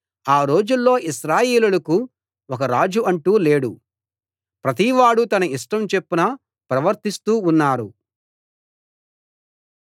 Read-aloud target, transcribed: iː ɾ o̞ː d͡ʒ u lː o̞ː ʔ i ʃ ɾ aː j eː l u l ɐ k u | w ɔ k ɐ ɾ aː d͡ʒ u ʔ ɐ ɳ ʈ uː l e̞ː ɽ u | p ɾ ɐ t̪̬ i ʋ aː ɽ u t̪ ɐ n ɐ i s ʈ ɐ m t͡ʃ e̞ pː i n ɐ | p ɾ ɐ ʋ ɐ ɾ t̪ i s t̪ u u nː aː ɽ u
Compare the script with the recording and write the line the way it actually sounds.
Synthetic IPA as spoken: aː ɾ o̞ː d͡ʒ u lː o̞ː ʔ i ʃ ɾ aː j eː l u l ɐ k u | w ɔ k ɐ ɾ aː d͡ʒ u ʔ ɐ ɳ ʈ uː l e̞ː ɽ u | p ɾ ɐ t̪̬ i ʋ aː ɽ u t̪ ɐ n ɐ i ʂ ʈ ɐ m t͡ʃ e̞ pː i n ɐ | p ɾ ɐ ʋ ɐ ɾ t̪ i s t̪ uː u nː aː ɾ u